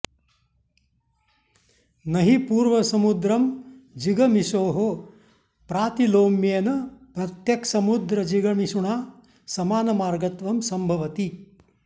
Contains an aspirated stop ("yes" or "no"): no